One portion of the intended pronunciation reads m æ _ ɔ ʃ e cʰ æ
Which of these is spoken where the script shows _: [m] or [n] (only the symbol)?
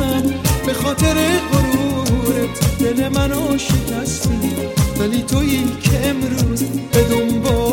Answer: n